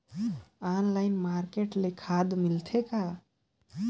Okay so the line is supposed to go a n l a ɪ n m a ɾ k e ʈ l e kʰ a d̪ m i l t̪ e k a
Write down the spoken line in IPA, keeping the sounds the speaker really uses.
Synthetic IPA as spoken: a n l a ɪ n m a ɾ k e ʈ l e kʰ a d̪ m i l t̪ʰ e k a

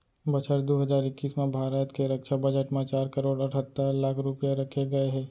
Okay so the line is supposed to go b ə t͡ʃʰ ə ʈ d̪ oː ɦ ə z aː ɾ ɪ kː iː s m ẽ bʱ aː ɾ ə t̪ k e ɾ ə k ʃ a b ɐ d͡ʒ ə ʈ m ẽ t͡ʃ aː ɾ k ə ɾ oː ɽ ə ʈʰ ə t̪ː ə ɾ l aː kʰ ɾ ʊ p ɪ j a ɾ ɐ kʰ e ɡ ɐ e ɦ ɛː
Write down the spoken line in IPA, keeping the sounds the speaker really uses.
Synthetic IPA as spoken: b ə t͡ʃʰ ə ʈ d̪ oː ɦ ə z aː ɾ ɪ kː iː s m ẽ bʱ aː ɾ ə t̪ k e ɾ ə k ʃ a b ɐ d͡ʒ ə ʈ m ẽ t͡ʃ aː ɾ k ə ɾ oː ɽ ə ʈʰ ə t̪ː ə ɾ l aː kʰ ɾ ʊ p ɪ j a ɾ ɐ kʰ e ɡ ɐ e ɦ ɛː

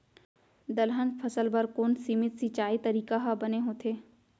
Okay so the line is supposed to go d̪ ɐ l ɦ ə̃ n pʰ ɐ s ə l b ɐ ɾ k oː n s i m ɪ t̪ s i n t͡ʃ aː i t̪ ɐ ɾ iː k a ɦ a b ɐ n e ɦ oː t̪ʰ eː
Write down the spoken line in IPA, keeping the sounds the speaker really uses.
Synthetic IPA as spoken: d̪ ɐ l ɦ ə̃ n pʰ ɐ s ə l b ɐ ɾ k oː n s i m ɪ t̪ s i t͡ʃ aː i t̪ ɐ ɾ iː k a ɦ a b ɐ n e ɦ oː t̪ʰ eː

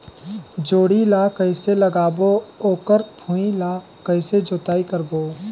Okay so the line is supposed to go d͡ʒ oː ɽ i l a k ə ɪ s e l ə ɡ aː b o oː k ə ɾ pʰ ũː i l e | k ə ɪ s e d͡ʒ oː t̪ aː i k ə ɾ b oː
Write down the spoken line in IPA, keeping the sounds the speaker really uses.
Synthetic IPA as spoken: d͡ʒ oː ɽ i l a k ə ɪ s e l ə ɡ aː b o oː k ə ɾ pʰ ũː i l a | k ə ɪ s e d͡ʒ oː t̪ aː i k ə ɾ b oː

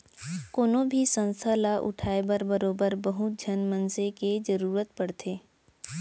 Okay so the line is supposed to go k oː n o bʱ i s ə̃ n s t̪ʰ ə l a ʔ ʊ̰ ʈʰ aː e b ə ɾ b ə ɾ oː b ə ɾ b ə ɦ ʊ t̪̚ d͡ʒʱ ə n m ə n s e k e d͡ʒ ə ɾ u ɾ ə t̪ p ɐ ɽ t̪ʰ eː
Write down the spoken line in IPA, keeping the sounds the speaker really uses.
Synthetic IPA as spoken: k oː n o bʱ i s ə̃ n s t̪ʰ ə l a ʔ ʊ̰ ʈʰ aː e b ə ɾ b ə ɾ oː b ə ɾ b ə ɦ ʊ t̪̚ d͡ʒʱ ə n m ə n s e k e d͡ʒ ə ɾ uː ɾ ə t̪ p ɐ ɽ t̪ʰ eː

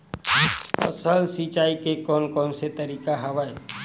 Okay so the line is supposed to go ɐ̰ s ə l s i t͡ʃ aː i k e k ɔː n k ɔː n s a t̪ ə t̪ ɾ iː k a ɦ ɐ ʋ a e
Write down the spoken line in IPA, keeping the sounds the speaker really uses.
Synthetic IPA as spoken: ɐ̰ s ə l s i t͡ʃ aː i k e k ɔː n k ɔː n s e t̪ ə ɾ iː k a ɦ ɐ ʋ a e

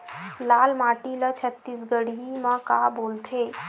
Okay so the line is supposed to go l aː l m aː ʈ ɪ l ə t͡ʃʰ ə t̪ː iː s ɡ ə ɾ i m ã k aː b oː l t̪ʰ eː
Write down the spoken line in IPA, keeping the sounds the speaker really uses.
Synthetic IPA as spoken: l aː l m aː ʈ i l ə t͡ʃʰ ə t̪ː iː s ɡ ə ɽ i m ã k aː b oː l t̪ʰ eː

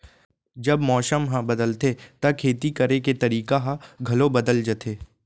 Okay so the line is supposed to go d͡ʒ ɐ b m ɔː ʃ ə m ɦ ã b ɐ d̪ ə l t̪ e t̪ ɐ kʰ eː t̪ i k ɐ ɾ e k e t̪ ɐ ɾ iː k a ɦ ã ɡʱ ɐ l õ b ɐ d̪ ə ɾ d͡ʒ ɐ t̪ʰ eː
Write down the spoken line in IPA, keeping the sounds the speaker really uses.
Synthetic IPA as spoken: d͡ʒ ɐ b m ɔː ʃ ə m ɦ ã b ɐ d̪ ə l t̪ e t̪ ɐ kʰ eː t̪ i k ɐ ɾ e k e t̪ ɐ ɾ iː k a ɦ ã ɡʱ ɐ l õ b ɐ d̪ ə l d͡ʒ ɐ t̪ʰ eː

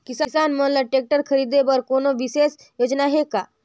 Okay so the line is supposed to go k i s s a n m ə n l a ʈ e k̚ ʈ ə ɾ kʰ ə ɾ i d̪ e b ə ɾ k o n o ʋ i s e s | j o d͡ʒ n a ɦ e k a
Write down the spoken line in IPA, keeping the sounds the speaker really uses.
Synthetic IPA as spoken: k i s s a n m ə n l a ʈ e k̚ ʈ ə ɾ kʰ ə ɾ i d̪ e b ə ɾ k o n o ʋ i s e s | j o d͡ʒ n a ɦ e k a

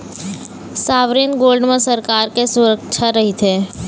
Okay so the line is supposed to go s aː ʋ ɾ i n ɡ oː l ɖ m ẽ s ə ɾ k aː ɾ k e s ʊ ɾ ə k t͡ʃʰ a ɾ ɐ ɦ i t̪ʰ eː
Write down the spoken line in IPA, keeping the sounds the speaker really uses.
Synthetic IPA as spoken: s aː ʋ ɾ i n ɡ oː l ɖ m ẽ s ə ɾ k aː ɾ k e s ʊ ɾ ə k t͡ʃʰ a ɾ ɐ ɦ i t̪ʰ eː

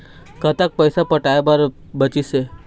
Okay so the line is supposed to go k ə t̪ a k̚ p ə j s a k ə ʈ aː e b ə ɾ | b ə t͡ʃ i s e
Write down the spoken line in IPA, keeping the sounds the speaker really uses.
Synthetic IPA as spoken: k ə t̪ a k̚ p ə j s a p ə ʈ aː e b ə ɾ | b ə t͡ʃ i s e

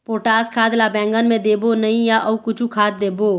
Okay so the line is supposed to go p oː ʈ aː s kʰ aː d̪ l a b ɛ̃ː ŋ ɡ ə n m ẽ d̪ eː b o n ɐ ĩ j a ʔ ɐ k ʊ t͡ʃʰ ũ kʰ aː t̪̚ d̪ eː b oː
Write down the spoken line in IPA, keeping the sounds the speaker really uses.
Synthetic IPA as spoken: p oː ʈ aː s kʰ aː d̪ l a b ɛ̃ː ŋ ɡ ə n m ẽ d̪ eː b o n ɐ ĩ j a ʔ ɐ k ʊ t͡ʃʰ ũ kʰ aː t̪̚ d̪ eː b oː

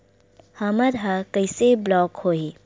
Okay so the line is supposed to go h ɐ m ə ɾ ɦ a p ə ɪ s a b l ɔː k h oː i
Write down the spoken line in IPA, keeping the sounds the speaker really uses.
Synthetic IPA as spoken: h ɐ m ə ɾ ɦ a k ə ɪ s e b l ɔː k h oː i

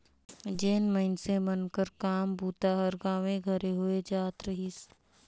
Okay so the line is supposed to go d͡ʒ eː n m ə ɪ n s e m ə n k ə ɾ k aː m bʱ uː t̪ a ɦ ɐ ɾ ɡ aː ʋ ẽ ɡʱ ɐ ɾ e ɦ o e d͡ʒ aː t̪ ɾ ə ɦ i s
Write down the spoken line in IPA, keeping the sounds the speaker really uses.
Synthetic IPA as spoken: d͡ʒ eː n m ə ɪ n s e m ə n k ə ɾ k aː m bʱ uː t̪ a ɦ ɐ ɾ ɡ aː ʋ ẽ ɡʱ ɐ ɾ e ɦ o e d͡ʒ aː t̪ ɾ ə ɦ i s

